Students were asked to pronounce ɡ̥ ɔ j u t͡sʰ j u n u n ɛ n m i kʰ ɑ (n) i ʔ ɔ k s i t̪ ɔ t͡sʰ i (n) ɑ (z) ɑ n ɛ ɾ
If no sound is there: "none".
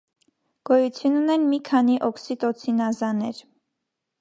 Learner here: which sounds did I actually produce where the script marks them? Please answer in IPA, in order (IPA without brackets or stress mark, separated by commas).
n, n, z